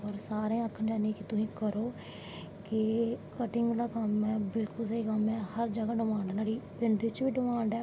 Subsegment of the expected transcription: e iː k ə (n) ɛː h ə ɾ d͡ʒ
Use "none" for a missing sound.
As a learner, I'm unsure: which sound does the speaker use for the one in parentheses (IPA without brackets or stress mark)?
m